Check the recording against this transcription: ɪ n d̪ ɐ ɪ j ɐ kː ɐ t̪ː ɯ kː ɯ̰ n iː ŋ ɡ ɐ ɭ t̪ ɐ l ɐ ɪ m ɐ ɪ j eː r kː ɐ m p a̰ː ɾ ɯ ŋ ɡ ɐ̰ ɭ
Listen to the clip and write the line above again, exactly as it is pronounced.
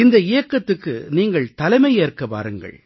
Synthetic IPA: ɪ n d̪ ɐ ɪ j ɐ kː ɐ t̪ː ɯ kː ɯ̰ n iː ŋ ɡ ɐ ɭ t̪ ɐ l ɐ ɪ m ɐ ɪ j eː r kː ɐ p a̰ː ɾ ɯ ŋ ɡ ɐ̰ ɭ